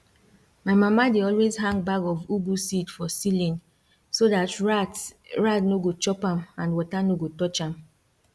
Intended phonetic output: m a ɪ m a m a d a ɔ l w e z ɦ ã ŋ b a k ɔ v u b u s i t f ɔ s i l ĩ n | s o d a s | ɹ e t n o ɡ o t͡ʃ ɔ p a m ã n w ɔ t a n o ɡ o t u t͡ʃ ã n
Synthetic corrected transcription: m a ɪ m a m a d e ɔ l w e z ɦ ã ŋ b a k ɔ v u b u s i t f ɔ s i l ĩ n | s o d a t | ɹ a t n o ɡ o t͡ʃ ɔ p a m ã n w ɔ t a n o ɡ o t ɔ t͡ʃ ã m